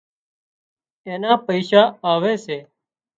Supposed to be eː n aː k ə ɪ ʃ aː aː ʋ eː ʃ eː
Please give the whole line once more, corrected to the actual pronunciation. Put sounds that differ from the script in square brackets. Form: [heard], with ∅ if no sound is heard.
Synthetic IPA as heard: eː n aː [p] ə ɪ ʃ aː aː ʋ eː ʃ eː

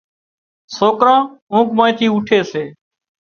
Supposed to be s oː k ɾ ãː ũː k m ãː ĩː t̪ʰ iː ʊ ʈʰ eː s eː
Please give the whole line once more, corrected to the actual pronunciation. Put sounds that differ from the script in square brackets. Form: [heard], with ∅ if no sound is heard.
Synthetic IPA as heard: s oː k ɾ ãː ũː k m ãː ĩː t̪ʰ iː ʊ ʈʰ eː s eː

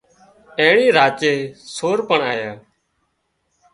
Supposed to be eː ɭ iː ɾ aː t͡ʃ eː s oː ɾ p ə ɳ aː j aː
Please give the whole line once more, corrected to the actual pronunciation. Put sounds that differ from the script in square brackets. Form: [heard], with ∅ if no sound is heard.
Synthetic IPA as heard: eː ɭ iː ɾ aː t͡ʃ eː s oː ɾ p ə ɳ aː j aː

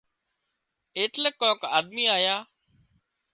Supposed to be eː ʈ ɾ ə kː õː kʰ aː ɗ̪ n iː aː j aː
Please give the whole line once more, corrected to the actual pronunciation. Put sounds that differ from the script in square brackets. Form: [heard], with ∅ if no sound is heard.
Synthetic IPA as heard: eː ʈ [l] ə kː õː [k] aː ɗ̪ [m] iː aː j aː

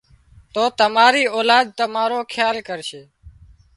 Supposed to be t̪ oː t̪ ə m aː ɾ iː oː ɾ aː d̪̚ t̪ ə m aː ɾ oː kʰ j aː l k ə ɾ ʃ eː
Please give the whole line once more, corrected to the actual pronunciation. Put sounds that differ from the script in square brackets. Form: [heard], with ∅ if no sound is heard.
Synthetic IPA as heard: t̪ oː t̪ ə m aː ɾ iː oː [l] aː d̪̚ t̪ ə m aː ɾ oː kʰ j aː l k ə ɾ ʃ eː

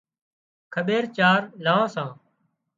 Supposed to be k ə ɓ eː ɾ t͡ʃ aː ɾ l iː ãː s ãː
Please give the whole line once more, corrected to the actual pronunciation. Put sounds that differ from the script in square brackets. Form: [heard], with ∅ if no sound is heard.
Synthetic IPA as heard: [kʰ] ə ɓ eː ɾ t͡ʃ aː ɾ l [aː] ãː s ãː

